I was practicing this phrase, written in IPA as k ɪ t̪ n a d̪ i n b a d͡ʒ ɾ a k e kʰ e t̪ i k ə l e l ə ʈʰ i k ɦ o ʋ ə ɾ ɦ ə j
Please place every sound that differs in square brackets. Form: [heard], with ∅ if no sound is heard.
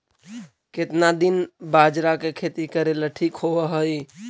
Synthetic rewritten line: k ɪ t̪ n a d̪ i n b a d͡ʒ ɾ a k e kʰ e t̪ i k ə [ɾ] e l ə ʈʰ i k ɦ o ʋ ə [∅] ɦ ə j